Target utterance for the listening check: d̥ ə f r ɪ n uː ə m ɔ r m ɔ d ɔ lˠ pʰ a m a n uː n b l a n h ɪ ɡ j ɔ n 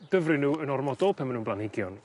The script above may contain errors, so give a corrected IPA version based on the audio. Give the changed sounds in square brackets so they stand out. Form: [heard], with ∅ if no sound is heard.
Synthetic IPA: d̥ ə [v] r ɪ n uː ə [n] ɔ r m ɔ d ɔ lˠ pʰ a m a n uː n b l a n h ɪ ɡ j ɔ n